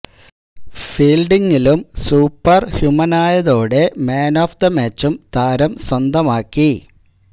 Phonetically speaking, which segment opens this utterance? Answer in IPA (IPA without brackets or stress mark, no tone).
f